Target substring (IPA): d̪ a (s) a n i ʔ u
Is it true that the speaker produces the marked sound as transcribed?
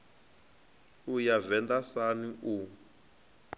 yes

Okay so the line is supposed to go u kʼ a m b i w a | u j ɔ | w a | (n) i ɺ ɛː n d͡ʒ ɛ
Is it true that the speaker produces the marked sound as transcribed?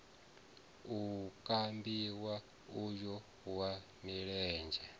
no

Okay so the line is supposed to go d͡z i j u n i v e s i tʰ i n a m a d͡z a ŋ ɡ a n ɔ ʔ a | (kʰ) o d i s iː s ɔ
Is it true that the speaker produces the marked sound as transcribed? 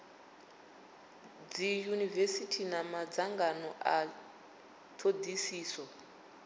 no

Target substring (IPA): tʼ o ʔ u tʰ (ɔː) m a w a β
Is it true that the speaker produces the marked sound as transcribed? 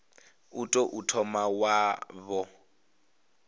no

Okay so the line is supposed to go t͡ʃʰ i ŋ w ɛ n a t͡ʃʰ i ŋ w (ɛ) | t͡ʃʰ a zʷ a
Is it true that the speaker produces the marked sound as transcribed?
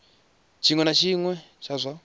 yes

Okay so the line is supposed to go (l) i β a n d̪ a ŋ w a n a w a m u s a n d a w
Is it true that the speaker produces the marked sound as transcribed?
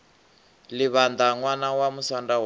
yes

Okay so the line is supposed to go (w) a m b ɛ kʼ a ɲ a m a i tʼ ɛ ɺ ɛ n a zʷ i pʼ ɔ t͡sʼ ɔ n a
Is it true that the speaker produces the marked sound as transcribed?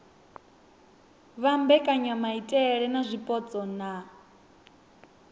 no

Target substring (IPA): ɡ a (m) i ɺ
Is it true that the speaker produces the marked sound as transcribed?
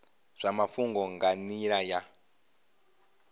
no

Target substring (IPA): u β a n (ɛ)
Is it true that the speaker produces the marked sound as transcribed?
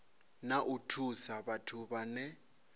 yes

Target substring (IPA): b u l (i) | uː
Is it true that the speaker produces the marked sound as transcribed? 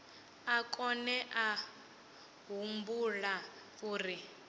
no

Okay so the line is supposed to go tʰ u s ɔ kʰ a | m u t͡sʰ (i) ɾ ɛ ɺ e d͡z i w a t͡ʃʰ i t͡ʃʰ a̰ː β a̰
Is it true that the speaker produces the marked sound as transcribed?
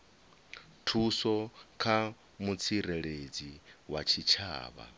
yes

